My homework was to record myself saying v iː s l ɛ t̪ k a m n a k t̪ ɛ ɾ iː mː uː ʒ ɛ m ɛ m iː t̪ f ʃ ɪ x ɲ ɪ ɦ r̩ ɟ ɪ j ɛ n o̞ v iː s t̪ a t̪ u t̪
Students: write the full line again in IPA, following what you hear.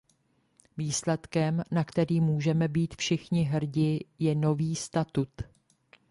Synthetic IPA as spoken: v iː s l ɛ t̪ k ɛ m n a k t̪ ɛ ɾ iː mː uː ʒ ɛ m ɛ b iː t̪ f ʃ ɪ x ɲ ɪ ɦ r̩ ɟ ɪ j ɛ n o̞ v iː s t̪ a t̪ u t̪